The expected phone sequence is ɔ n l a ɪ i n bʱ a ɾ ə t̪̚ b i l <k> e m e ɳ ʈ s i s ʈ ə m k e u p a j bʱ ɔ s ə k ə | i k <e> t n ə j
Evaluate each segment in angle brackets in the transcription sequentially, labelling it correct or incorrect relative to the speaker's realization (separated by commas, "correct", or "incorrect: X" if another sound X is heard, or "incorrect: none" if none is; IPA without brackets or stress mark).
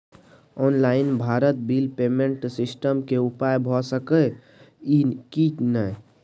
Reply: incorrect: p, incorrect: i